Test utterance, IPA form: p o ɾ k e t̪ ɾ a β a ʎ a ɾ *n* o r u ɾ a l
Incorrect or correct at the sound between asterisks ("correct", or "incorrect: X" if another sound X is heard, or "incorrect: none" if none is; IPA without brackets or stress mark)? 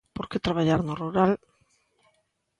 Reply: correct